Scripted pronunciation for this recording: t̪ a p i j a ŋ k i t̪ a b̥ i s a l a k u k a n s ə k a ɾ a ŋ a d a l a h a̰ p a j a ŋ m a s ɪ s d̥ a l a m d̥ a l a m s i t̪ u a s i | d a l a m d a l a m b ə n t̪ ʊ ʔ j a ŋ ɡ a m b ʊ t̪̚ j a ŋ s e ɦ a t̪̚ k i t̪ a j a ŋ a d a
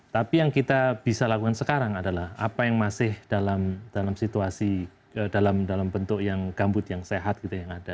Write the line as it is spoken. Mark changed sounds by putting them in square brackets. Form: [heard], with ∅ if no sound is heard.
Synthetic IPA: t̪ a p i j a ŋ k i t̪ a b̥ i s a l a k u k a n s ə k a ɾ a ŋ a d a l a h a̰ p a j a ŋ m a s ɪ [h] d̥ a l a m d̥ a l a m s i t̪ u a s i | d a l a m d a l a m b ə n t̪ ʊ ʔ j a ŋ ɡ a m b ʊ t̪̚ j a ŋ s e ɦ a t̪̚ k i t̪ a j a ŋ a d a